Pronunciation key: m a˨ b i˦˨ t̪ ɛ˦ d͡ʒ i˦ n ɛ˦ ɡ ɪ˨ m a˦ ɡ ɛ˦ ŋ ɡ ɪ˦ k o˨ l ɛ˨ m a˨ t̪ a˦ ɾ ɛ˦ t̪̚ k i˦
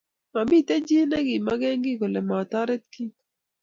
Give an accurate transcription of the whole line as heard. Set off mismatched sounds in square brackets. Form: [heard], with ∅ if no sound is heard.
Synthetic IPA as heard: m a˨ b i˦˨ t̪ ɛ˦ d͡ʒ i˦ n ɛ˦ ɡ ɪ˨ m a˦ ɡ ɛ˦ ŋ ɡ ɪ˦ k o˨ l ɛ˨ m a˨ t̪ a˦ ɾ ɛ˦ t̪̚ k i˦